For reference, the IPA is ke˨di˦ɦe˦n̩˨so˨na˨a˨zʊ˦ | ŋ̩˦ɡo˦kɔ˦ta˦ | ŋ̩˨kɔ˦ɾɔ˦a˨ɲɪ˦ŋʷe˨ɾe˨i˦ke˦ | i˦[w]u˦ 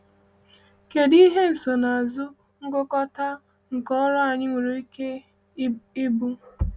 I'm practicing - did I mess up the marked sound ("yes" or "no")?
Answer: yes